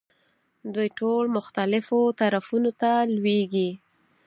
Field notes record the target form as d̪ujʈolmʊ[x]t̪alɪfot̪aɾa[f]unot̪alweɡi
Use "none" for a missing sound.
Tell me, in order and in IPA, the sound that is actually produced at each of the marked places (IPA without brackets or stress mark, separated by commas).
x, f